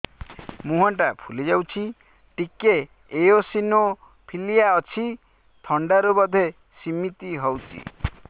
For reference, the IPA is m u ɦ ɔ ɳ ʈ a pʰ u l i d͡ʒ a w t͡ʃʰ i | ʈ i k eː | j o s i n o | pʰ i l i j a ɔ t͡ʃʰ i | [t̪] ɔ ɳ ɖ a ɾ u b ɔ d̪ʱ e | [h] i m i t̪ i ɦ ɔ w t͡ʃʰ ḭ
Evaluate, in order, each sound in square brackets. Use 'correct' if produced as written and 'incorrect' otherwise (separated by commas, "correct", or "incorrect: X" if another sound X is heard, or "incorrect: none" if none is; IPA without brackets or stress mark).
incorrect: t̪ʰ, incorrect: s